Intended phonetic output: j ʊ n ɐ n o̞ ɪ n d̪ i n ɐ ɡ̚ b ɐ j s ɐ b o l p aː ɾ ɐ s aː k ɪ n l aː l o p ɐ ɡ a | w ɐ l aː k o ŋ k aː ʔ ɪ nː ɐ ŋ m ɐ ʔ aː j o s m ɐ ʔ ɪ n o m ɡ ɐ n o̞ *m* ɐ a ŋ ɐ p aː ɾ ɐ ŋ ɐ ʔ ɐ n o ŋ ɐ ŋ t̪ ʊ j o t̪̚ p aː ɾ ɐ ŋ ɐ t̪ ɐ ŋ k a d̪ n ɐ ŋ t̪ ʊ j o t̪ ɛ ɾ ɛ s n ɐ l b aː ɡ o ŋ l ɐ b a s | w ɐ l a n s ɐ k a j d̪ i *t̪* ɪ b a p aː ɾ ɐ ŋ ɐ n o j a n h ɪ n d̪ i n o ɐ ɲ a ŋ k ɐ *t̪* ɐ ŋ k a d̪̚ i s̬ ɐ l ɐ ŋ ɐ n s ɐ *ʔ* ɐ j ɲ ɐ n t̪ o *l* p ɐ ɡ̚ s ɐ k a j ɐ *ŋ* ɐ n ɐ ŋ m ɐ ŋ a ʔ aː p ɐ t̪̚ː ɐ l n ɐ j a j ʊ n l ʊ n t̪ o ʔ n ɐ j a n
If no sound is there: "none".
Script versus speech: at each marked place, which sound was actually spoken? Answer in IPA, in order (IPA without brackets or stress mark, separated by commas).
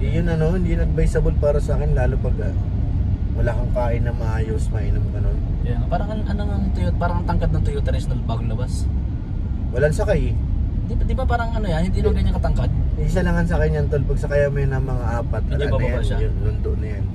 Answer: n, d̪, t̪, k, l, m